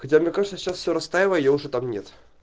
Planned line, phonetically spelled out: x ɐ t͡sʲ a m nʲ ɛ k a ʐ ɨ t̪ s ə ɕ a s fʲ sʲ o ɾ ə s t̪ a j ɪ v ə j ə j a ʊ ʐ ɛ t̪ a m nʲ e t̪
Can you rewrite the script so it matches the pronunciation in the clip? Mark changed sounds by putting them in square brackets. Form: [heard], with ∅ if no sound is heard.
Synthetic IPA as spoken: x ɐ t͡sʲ a m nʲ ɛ k a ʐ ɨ t̪ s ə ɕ a s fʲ sʲ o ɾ [ɐ] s t̪ a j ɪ v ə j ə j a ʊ ʐ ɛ t̪ a m nʲ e t̪

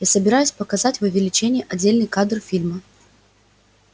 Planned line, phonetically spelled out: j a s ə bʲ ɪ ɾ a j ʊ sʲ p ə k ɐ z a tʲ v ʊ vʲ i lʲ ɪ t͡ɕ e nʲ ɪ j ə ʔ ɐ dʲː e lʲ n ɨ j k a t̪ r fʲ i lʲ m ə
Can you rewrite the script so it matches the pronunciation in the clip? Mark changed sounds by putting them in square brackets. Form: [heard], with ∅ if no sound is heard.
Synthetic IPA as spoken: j a s ə bʲ ɪ ɾ a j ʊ sʲ p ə k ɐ z a tʲ v ʊ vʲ [ɪ] lʲ ɪ t͡ɕ e nʲ ɪ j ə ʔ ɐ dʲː e lʲ n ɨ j k a [d̪] r fʲ i lʲ m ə

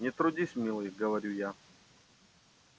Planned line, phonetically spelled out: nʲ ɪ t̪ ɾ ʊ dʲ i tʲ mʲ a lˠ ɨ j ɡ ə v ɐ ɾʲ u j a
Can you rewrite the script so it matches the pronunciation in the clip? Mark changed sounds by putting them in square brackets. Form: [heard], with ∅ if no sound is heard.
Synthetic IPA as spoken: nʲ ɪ t̪ ɾ ʊ dʲ i [sʲ] mʲ [i] lˠ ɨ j ɡ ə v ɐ ɾʲ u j a

